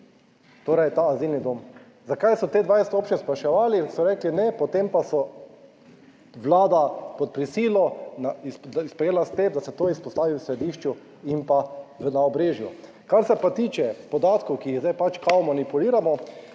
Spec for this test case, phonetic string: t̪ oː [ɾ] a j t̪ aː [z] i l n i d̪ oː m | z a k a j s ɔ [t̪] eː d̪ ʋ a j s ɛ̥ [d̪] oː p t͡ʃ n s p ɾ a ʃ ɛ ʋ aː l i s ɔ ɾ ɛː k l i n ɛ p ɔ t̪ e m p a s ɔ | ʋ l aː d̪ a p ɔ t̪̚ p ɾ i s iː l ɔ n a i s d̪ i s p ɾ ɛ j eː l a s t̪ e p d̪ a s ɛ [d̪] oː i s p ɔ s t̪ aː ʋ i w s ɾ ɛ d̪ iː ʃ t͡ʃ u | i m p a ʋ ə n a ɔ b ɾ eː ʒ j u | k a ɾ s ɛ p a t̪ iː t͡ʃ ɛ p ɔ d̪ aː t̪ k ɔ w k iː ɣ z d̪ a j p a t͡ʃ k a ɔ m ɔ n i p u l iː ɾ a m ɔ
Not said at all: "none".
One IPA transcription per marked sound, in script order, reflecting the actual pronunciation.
ɾ, z, t̪, t̪, t̪

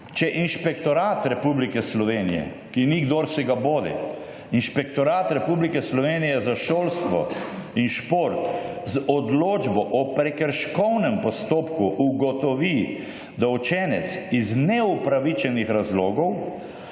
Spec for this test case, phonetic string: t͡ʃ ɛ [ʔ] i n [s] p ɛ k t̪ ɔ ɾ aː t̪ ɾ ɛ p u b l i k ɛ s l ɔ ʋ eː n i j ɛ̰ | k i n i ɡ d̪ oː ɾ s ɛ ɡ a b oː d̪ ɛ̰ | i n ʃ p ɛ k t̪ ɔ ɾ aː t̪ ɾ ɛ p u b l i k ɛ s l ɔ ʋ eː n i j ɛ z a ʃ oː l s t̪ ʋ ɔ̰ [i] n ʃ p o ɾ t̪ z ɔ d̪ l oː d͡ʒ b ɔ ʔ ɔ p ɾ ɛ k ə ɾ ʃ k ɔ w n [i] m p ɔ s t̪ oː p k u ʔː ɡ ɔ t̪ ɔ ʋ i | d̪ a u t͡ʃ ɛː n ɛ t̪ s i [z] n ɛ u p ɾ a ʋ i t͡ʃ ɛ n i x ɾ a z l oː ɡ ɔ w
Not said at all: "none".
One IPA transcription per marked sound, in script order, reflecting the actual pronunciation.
ʔ, ʃ, i, ɛ, z

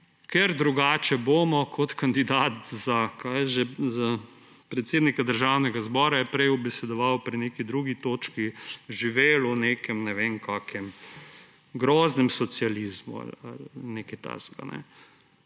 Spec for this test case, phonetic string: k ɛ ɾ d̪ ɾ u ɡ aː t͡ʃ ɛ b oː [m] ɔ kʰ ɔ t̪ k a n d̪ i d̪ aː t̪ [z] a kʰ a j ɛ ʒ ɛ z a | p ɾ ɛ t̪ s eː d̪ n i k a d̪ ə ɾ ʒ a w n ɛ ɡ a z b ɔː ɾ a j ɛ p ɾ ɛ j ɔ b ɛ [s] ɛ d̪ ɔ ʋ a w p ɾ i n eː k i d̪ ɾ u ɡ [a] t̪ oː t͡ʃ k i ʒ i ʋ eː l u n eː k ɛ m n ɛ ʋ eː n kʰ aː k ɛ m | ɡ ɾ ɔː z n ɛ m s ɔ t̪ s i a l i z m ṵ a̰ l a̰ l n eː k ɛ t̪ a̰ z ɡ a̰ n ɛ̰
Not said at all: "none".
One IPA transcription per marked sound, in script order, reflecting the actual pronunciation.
m, z, s, i

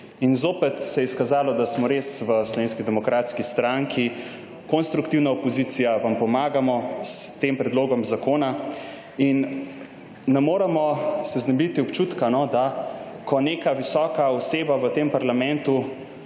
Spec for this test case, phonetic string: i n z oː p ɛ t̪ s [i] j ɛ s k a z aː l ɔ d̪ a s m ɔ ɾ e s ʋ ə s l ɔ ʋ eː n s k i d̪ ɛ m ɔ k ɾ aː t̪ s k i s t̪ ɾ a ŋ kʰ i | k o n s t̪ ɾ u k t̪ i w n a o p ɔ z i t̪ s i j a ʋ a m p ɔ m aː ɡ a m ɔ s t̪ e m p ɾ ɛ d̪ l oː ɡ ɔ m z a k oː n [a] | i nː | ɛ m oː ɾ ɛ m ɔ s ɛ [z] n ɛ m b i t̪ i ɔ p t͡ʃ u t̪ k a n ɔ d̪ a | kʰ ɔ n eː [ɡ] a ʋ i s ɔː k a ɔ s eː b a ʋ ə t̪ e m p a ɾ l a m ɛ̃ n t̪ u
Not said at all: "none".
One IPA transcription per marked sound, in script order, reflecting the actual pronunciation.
ɛ, a, z, k

